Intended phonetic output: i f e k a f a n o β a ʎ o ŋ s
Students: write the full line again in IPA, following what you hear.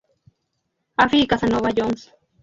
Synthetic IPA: a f i k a s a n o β a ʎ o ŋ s